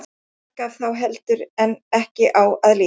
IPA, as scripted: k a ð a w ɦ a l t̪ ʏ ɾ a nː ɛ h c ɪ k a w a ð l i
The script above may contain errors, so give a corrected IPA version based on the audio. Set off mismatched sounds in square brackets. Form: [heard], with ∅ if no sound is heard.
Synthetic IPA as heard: k a [θ] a w ɦ [ɛ] l t̪ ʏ ɾ [ɛ] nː ɛ h c ɪ [ʔ] a w a ð l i